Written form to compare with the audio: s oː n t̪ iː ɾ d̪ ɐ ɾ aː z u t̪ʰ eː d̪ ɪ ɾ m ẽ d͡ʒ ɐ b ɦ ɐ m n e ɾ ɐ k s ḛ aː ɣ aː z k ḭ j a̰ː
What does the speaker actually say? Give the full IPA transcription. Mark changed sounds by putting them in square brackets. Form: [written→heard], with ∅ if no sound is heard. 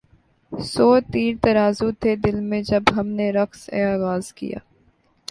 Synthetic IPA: s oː [n→∅] t̪ iː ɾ [d̪→t̪] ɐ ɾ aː z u t̪ʰ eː d̪ ɪ [ɾ→l] m ẽ d͡ʒ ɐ b ɦ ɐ m n e ɾ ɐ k s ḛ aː ɣ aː z k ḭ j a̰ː